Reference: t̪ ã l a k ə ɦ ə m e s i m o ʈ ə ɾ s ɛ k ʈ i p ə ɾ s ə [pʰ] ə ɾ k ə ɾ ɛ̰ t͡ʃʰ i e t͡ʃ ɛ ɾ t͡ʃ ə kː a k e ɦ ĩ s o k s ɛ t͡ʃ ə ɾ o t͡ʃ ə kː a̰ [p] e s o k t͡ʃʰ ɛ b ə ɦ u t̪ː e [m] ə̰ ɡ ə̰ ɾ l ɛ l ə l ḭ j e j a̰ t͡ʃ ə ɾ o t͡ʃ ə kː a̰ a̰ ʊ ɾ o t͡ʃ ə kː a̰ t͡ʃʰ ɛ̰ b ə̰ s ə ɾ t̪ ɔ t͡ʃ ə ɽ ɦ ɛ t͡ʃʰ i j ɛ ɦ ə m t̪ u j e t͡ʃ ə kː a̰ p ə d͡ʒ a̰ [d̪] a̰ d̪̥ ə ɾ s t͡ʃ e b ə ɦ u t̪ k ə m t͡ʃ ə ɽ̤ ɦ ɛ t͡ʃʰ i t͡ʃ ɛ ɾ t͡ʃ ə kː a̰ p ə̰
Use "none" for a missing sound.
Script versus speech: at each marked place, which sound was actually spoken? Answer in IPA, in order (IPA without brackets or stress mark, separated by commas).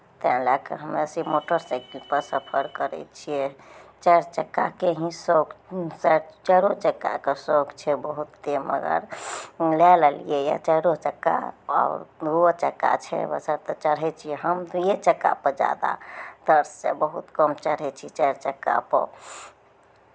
pʰ, k, m, d̪